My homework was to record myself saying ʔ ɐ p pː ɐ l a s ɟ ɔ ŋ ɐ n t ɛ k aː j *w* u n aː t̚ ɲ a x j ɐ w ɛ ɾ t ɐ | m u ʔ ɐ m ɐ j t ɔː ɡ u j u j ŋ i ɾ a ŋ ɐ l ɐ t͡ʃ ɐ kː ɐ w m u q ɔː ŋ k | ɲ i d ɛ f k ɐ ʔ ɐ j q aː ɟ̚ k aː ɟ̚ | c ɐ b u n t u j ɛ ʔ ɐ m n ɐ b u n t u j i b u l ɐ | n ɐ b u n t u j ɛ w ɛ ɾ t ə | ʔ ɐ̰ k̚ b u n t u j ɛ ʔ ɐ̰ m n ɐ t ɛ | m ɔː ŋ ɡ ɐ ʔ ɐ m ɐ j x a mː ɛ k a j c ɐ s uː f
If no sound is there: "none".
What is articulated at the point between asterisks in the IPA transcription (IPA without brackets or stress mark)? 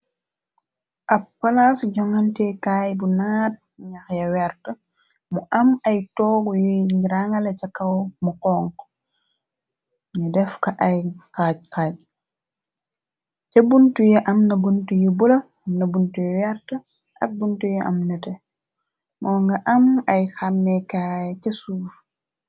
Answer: b